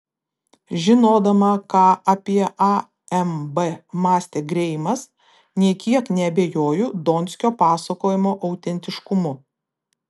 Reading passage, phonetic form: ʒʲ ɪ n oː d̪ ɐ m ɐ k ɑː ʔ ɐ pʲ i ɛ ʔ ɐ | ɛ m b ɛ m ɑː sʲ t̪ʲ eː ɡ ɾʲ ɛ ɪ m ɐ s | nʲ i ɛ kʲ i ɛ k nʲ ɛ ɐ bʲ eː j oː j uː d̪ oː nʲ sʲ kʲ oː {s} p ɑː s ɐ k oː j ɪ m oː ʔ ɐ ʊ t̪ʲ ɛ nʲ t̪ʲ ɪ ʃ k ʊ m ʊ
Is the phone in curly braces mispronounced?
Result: yes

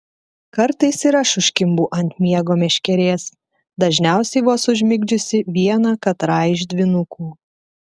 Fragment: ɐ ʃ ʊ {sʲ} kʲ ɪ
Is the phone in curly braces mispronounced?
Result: yes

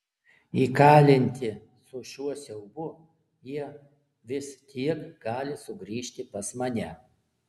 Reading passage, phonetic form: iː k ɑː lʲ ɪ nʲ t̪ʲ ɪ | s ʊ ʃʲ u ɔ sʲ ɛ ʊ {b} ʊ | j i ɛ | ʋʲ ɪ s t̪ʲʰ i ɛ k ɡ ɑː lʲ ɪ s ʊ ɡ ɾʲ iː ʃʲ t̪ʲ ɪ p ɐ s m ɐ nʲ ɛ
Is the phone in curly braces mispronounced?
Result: no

